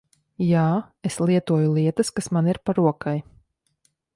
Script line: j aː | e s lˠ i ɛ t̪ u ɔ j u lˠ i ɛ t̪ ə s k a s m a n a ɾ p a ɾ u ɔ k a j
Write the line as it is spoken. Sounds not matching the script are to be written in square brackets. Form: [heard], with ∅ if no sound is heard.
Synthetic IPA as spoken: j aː | e s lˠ i ɛ t̪ u ɔ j u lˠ i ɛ t̪ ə s k a s m a n [i] ɾ p a ɾ u ɔ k a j